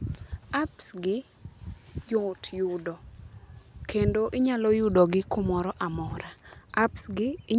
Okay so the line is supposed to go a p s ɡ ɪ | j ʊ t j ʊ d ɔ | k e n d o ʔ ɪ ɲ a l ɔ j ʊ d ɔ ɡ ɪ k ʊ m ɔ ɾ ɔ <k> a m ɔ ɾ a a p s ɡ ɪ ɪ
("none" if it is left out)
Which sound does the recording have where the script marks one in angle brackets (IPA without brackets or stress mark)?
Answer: ʔ